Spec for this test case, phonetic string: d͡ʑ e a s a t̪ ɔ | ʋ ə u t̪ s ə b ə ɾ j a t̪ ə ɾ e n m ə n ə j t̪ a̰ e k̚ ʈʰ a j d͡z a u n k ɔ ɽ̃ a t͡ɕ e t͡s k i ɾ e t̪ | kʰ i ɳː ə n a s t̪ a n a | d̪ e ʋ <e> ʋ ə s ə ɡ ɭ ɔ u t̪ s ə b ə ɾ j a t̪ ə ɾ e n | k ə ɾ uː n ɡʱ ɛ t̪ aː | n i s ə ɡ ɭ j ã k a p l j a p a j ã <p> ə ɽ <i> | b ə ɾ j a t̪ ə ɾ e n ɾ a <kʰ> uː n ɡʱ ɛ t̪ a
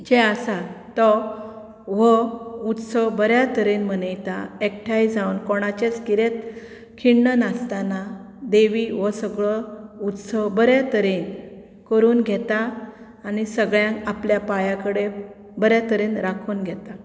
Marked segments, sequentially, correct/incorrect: incorrect: i, incorrect: k, incorrect: e, correct

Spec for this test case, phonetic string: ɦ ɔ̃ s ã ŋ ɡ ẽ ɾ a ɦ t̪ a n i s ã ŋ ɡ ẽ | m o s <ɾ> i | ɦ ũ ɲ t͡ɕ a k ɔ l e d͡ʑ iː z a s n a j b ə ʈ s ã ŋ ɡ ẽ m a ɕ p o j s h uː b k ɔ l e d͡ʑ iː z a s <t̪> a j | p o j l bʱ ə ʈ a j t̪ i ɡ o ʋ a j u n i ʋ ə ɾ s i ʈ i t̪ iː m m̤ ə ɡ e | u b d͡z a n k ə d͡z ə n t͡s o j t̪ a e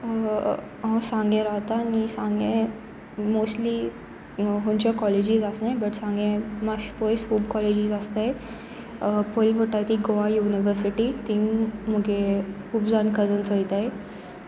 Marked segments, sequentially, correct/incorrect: incorrect: l, correct

